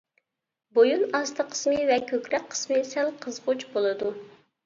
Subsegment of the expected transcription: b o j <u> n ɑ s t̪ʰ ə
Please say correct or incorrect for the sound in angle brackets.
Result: correct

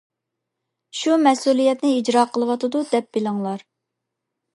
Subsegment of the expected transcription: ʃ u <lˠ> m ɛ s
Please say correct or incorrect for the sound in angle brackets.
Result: incorrect: none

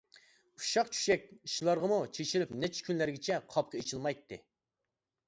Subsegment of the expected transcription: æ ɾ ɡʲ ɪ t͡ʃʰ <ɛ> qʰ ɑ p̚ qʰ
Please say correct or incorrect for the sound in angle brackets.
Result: correct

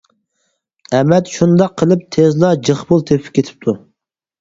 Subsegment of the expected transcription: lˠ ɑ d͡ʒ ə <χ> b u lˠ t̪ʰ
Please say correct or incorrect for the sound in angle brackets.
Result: correct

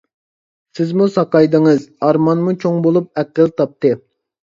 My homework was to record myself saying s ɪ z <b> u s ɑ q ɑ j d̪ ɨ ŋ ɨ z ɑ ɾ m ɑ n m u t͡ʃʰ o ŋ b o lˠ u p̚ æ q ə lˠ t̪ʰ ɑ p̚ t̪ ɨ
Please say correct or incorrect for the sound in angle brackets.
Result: incorrect: m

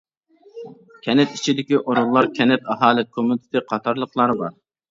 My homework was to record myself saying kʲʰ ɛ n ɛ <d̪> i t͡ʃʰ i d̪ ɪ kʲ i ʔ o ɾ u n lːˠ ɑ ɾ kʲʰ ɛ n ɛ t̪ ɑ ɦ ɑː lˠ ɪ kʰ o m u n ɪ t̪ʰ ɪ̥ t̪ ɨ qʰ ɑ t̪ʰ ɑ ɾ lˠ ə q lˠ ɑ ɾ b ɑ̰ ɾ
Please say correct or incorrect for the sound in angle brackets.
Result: incorrect: t̪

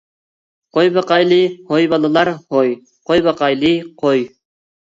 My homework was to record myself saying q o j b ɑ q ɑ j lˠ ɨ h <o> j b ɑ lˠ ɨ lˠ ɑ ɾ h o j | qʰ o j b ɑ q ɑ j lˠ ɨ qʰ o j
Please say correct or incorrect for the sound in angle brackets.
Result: correct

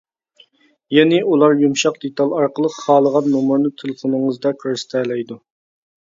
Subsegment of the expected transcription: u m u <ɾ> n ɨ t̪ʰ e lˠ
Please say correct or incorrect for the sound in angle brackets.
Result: correct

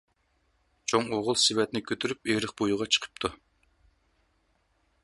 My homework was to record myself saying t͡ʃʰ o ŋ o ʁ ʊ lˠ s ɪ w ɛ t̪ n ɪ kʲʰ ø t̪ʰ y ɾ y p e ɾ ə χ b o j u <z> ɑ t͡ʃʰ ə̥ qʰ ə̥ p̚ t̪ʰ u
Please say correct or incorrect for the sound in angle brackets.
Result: incorrect: ʁ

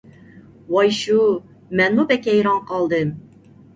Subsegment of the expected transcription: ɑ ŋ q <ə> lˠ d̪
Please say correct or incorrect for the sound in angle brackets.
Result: incorrect: ɑ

